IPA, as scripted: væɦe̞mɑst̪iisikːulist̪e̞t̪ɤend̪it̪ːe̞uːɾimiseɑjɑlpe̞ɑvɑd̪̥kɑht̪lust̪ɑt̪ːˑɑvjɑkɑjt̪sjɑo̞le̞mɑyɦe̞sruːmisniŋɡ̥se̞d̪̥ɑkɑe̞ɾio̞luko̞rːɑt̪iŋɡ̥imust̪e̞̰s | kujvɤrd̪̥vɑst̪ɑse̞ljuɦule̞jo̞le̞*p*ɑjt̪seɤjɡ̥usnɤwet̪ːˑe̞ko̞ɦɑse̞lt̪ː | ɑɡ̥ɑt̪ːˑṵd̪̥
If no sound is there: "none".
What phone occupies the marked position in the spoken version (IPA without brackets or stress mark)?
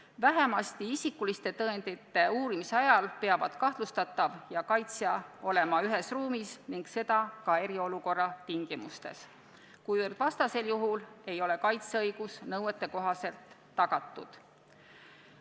k